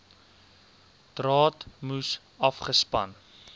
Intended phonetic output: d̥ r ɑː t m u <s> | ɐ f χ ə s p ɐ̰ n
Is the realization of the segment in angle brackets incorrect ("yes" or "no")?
no